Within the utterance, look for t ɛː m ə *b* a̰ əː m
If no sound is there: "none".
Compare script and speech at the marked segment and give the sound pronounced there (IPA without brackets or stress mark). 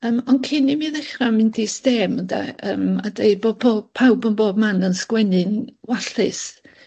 d